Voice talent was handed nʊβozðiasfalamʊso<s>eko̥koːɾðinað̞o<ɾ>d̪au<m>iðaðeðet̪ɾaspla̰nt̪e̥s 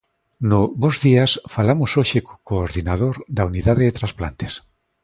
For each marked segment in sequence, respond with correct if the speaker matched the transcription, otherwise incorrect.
incorrect, correct, incorrect

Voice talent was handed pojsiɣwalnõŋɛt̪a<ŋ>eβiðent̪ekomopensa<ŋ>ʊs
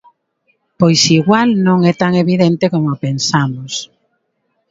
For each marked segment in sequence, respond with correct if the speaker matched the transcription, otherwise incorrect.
correct, incorrect

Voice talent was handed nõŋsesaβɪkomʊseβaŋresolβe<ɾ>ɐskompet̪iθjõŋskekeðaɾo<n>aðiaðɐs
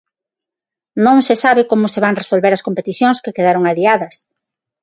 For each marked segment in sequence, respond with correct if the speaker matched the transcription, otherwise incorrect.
correct, incorrect

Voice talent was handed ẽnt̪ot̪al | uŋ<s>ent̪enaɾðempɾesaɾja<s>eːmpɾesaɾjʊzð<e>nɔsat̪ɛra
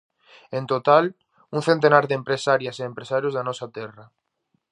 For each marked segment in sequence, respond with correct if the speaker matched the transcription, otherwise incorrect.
incorrect, correct, incorrect

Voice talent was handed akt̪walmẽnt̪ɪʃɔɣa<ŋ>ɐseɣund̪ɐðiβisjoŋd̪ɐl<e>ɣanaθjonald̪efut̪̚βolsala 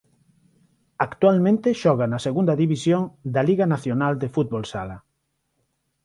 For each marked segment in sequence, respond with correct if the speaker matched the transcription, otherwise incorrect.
incorrect, incorrect

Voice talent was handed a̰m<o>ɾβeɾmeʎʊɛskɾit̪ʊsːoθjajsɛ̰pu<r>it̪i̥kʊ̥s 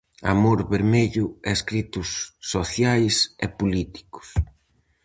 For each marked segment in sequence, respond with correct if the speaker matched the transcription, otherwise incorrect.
correct, incorrect

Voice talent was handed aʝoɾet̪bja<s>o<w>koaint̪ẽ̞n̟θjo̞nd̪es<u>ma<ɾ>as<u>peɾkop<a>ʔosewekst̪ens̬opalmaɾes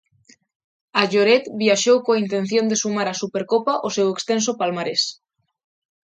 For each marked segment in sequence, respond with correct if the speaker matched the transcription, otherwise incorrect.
incorrect, correct, correct, correct, correct, correct

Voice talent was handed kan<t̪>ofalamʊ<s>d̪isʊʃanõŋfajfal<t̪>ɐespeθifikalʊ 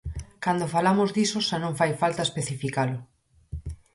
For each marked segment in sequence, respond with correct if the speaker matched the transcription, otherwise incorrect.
incorrect, incorrect, correct

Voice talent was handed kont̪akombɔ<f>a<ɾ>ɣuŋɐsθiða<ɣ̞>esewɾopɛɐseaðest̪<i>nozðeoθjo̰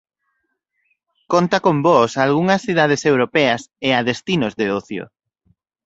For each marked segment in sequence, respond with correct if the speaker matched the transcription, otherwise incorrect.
incorrect, incorrect, incorrect, correct

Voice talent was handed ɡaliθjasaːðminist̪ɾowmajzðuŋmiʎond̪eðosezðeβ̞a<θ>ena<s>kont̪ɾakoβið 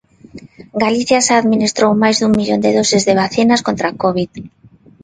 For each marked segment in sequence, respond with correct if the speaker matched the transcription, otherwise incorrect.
correct, correct

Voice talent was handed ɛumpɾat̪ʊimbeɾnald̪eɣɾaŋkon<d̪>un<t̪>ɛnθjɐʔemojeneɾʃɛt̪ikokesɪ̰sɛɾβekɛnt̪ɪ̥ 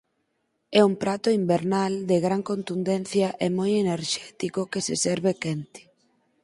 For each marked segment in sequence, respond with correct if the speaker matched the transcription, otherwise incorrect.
incorrect, incorrect

